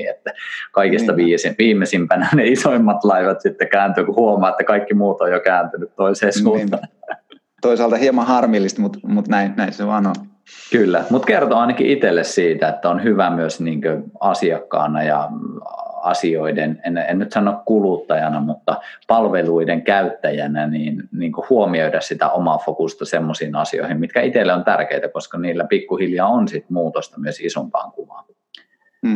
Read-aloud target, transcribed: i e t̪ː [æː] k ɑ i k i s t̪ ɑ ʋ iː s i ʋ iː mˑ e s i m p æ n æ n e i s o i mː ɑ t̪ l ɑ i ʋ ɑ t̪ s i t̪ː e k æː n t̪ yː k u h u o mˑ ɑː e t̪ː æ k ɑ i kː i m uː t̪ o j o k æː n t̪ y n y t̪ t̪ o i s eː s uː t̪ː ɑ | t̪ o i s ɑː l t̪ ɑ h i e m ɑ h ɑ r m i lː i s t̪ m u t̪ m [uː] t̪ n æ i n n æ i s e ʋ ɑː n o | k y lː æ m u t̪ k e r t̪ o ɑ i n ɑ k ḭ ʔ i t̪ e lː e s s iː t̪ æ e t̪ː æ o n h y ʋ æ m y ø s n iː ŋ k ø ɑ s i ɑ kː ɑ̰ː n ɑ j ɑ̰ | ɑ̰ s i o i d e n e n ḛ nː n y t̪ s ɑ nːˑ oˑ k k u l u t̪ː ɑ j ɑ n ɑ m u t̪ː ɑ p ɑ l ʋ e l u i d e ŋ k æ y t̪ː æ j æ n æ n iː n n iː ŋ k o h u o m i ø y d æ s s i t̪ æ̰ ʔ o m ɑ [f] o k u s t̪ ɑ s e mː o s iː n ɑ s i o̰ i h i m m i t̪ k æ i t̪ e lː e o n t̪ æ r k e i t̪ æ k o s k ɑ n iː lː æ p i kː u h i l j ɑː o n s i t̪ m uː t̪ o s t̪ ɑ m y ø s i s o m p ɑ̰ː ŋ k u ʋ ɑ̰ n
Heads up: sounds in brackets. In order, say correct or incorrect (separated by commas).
incorrect, incorrect, correct